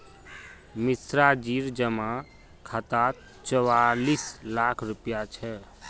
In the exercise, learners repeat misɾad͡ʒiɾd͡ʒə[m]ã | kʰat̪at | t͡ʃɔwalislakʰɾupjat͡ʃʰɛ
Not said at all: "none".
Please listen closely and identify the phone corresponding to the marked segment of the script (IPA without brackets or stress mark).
m